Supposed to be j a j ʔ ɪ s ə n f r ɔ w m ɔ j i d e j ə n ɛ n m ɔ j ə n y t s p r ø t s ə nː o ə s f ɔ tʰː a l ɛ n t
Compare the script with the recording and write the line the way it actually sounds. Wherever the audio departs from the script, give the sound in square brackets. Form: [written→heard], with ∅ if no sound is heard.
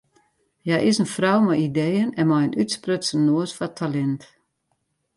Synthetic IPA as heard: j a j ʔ ɪ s ə n f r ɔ w m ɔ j i d e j ə n ɛ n m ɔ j ə n y t s p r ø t s ə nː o ə s f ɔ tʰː a l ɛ n t